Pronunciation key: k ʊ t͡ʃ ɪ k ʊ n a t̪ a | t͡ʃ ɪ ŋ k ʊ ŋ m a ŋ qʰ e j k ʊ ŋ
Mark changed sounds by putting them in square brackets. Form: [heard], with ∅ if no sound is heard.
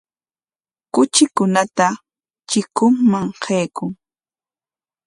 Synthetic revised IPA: k ʊ t͡ʃ ɪ k ʊ n a t̪ a | t͡ʃ ɪ [∅] k ʊ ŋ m a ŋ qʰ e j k ʊ ŋ

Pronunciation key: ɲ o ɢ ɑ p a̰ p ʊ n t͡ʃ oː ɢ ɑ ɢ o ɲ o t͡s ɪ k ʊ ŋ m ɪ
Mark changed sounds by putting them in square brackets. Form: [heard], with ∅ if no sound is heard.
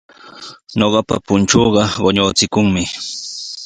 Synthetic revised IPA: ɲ o ɢ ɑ p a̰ p ʊ n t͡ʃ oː ɢ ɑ ɢ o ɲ o t͡s ɪ k ʊ ŋ m ɪ

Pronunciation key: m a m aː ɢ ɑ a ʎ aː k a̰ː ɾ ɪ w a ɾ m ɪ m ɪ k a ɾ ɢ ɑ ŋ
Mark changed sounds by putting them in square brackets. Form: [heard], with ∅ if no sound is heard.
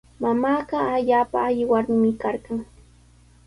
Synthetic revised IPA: m a m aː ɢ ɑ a ʎ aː [p] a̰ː [ʎ] ɪ w a ɾ m ɪ m ɪ k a ɾ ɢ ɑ ŋ

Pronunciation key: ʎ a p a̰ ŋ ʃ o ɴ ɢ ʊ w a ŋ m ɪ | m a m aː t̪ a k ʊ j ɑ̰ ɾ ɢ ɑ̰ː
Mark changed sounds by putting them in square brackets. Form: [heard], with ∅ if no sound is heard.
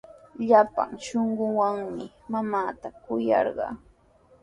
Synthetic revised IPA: ʎ a p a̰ ŋ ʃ o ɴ ɢ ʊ w a ŋ m ɪ | m a m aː t̪ a k ʊ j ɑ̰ ɾ ɢ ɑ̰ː

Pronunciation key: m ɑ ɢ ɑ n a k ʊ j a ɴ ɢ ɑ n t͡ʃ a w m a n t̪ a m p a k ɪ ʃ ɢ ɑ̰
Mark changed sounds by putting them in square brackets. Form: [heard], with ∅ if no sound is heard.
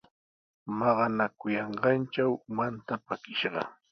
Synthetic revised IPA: m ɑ ɢ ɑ n a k ʊ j [ɑ] ɴ ɢ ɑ n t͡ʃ a w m a n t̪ a [∅] p a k ɪ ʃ ɢ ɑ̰

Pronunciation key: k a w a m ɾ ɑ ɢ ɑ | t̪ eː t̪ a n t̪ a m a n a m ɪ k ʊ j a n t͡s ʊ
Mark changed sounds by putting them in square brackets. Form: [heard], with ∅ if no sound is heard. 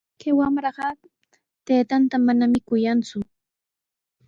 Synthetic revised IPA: k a w a m ɾ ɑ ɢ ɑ | t̪ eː t̪ a n t̪ a m a n a m ɪ k ʊ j a n t͡s ʊ

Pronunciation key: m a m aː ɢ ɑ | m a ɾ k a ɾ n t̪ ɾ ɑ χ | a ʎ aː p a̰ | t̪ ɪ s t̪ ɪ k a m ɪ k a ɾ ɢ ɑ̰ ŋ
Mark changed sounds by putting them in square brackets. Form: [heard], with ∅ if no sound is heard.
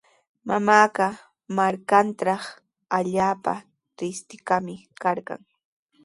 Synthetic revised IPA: m a m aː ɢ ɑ | m a ɾ k a [∅] n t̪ ɾ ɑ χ | a ʎ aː p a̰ | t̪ ɪ s t̪ ɪ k a m ɪ k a ɾ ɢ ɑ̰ ŋ

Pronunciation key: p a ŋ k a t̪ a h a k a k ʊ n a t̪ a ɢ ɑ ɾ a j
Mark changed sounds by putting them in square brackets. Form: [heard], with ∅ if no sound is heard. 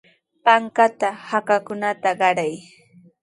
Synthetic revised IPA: p a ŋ k a t̪ a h a k a k ʊ n a t̪ a ɢ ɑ ɾ a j

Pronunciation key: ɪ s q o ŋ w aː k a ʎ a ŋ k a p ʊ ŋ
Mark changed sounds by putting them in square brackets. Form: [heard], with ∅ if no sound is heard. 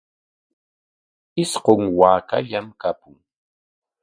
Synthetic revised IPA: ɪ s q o ŋ w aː k a ʎ a [m] k a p ʊ ŋ

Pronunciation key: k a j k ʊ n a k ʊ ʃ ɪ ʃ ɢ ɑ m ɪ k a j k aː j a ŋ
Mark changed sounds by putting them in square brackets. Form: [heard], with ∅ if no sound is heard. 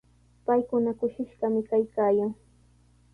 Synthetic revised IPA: [p] a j k ʊ n a k ʊ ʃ ɪ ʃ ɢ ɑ m ɪ k a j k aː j a ŋ

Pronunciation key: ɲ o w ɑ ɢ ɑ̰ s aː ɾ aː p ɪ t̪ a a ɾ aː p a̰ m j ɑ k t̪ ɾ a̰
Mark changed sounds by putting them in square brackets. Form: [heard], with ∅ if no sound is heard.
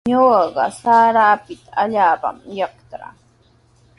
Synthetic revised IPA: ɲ o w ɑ ɢ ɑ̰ s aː ɾ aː p ɪ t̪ a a [ʎ] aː p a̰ m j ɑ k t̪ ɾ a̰

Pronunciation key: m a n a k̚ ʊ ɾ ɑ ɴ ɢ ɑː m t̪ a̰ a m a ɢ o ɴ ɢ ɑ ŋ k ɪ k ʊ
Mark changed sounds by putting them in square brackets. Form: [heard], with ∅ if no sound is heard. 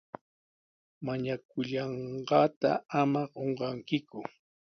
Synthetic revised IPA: m a [ɲ] a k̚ ʊ [ʎ] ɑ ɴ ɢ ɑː [∅] t̪ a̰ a m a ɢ o ɴ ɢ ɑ ŋ k ɪ k ʊ

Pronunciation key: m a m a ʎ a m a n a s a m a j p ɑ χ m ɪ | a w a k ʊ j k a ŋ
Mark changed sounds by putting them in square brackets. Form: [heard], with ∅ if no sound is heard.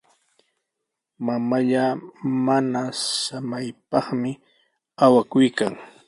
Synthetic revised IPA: m a m a ʎ a m a n a s a m a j p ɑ χ m ɪ | a w a k ʊ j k a ŋ

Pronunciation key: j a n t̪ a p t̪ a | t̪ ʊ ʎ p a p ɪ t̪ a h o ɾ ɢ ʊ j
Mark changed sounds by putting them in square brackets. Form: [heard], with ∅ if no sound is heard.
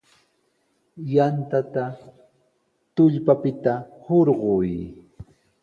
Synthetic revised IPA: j a n t̪ a [∅] t̪ a | t̪ ʊ ʎ p a p ɪ t̪ a h o ɾ ɢ ʊ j

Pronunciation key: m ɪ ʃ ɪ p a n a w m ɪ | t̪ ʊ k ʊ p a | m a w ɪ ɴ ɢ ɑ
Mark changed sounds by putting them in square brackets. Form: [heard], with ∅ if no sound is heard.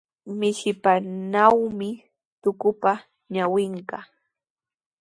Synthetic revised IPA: m ɪ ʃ ɪ p a n a w m ɪ | t̪ ʊ k ʊ p a | [ɲ] a w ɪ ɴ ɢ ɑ

